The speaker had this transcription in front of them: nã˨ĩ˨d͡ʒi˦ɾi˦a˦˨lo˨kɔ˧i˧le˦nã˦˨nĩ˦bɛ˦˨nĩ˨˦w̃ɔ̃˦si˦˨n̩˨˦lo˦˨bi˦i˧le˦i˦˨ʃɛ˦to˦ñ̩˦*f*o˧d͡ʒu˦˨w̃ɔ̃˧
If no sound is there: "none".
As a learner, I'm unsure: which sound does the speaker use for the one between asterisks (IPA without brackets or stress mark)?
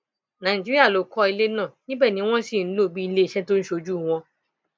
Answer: ʃ